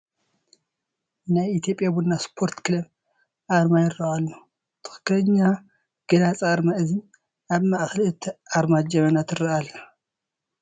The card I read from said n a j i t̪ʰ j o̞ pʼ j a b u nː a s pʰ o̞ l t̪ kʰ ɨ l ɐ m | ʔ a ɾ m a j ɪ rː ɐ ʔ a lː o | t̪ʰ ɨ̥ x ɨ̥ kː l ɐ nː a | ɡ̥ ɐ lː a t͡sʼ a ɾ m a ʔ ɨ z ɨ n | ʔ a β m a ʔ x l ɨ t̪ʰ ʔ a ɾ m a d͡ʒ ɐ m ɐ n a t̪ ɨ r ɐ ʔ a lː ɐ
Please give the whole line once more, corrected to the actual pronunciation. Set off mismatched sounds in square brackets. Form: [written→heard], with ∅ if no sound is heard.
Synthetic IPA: n a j i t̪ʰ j o̞ pʼ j a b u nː a s pʰ o̞ [l→ɾ] t̪ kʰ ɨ l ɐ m | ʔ a ɾ m a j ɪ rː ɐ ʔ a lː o | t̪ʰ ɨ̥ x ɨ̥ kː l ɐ [nː→ɲː] a | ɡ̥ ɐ [lː→l] a t͡sʼ a ɾ m a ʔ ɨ z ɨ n | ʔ a β m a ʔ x l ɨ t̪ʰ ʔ a ɾ m a d͡ʒ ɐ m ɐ n a t̪ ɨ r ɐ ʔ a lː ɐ

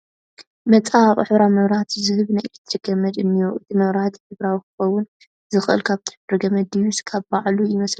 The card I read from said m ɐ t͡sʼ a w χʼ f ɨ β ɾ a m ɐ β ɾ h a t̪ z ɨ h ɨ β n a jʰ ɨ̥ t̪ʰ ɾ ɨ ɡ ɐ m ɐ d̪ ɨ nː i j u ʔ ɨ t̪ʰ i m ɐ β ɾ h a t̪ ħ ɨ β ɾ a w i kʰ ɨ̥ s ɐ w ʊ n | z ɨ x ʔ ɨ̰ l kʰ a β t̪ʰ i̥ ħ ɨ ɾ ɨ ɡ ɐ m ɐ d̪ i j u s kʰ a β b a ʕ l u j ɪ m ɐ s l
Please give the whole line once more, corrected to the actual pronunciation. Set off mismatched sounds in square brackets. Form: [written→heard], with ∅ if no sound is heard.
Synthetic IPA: m ɐ t͡sʼ a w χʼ [f→ħ] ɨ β ɾ a m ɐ β ɾ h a t̪ z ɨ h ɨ β n a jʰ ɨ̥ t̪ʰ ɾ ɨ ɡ ɐ m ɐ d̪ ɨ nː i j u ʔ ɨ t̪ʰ i m ɐ β ɾ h a t̪ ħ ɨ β ɾ a w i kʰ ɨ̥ [s→x] ɐ w ʊ n | z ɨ x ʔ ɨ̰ l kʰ a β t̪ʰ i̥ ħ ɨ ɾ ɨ ɡ ɐ m ɐ d̪ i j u s kʰ a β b a ʕ l u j ɪ m ɐ s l

